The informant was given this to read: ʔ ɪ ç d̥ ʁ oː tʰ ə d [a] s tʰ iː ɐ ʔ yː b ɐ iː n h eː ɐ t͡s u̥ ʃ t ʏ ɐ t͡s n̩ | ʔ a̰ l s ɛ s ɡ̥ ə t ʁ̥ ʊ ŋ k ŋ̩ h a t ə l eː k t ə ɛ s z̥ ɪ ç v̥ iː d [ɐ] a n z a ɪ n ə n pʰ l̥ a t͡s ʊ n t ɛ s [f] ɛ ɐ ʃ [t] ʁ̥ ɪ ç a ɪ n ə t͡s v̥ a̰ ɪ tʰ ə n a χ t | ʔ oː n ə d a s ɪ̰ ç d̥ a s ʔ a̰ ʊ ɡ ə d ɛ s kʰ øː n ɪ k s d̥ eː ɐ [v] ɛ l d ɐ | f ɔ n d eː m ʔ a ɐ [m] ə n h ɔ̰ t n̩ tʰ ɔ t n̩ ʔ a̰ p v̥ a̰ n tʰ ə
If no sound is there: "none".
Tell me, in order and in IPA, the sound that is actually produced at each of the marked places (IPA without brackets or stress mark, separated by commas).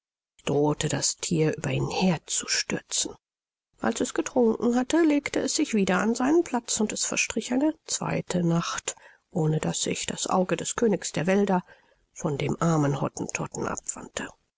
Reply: a, ɐ, f, t, v, m